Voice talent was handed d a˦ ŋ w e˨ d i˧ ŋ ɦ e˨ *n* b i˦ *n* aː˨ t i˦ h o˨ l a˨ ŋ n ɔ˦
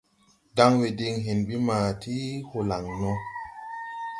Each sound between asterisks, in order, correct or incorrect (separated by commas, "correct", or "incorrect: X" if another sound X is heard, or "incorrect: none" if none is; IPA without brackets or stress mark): correct, incorrect: m